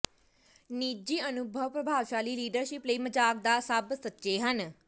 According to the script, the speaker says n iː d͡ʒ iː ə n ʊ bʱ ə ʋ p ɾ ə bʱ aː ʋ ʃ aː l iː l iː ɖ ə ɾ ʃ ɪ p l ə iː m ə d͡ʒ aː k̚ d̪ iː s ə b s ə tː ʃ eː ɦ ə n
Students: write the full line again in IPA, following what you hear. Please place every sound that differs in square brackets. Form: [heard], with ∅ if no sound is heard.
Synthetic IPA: n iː d͡ʒ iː ə n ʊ bʱ ə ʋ p ɾ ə bʱ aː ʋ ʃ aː l iː l iː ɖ ə ɾ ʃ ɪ p l ə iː m ə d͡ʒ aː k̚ d̪ [aː] s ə b s ə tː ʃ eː ɦ ə n